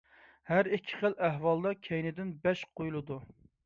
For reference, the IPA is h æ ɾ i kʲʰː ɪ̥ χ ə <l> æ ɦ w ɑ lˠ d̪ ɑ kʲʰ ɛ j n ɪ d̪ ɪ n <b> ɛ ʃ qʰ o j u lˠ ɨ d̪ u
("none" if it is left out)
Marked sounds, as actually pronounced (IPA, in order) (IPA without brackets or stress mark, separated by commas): l, b